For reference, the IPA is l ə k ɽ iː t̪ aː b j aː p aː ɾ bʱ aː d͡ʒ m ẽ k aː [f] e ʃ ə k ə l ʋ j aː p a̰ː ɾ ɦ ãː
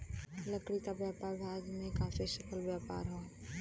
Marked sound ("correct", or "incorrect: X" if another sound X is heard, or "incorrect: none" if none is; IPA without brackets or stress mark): correct